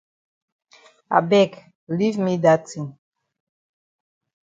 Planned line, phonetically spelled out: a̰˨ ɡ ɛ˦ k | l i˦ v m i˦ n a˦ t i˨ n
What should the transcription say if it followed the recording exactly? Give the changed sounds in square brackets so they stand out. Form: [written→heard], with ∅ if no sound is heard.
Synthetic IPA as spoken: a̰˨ [ɡ→b] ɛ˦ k | l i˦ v m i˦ [n→d] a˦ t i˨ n